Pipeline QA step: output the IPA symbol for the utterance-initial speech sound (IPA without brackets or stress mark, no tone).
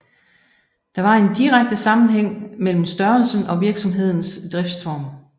d̥